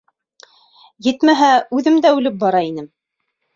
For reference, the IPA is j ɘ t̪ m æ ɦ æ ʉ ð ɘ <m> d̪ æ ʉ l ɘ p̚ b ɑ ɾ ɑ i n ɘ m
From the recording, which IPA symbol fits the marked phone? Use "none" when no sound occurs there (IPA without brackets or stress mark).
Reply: m